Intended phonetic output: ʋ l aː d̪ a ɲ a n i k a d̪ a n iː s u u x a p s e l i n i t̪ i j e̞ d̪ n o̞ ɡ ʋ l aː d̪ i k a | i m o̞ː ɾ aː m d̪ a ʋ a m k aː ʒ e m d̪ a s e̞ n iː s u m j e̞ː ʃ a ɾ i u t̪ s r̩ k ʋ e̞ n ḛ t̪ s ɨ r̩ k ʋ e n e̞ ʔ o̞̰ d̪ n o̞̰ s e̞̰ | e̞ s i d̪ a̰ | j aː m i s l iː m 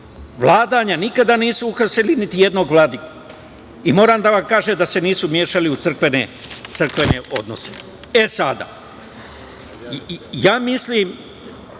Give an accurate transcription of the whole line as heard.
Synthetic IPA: ʋ l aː d̪ a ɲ a n i k a d̪ a n iː s u u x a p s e l i n i t̪ i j e̞ d̪ n o̞ ɡ ʋ l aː d̪ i k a | i m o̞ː ɾ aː m d̪ a ʋ a m k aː ʒ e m d̪ a s e̞ n iː s u m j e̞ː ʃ a l i u t̪ s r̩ k ʋ e̞ n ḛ t̪ s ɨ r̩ k ʋ e n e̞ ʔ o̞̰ d̪ n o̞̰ s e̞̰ | e̞ s a d̪ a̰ | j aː m i s l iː m